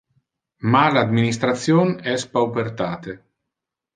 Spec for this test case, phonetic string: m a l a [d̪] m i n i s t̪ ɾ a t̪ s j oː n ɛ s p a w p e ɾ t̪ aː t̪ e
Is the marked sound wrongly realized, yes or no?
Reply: no